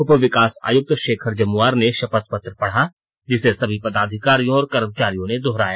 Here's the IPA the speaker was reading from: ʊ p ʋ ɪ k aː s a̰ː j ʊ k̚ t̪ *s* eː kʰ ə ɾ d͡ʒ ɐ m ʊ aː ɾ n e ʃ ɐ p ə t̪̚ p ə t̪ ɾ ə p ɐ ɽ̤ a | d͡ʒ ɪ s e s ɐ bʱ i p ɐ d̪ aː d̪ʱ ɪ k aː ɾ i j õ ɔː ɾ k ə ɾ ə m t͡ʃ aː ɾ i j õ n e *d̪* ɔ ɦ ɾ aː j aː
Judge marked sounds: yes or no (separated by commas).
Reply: no, yes